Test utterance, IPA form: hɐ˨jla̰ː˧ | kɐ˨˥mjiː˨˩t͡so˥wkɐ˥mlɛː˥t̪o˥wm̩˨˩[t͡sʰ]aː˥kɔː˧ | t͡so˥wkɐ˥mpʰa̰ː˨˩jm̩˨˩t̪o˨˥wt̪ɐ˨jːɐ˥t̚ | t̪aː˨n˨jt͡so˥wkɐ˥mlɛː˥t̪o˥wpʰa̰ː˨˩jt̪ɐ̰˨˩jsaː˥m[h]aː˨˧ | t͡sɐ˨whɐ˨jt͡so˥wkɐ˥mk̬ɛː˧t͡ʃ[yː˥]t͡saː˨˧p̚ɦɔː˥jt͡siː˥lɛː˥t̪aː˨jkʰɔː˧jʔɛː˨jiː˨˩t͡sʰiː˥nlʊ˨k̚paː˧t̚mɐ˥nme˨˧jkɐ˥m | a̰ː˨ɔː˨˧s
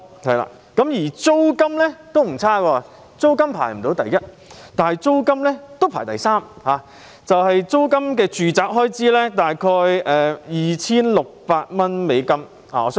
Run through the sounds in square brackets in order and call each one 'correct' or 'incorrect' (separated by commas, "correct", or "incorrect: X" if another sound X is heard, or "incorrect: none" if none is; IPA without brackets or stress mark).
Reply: correct, correct, incorrect: yː˨